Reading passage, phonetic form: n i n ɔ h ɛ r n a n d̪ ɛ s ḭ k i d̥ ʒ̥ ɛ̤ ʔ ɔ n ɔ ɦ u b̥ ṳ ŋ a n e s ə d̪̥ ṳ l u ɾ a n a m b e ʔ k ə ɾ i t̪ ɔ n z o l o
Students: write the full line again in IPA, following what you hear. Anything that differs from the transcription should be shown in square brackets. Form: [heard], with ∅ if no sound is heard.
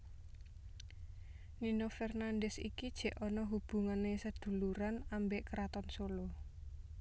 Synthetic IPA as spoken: n i n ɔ [f] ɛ r n a n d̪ ɛ s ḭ k i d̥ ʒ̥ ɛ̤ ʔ ɔ n ɔ ɦ u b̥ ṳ ŋ a n e s ə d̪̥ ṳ l u ɾ a n a m b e ʔ k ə ɾ [a] t̪ ɔ n [s] o l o